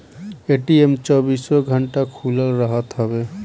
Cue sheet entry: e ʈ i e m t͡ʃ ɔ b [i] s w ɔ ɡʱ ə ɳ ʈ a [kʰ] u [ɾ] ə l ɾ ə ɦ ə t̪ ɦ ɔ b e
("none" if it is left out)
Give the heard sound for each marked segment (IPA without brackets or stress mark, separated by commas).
i, kʰ, l